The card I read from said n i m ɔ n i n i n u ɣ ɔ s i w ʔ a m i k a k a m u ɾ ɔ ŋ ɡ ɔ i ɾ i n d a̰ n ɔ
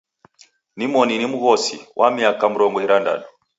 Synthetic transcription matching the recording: n i m ɔ n i n i m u ɣ ɔ s i w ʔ a m i a k a m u ɾ ɔ ŋ ɡ ɔ i ɾ a n d a̰ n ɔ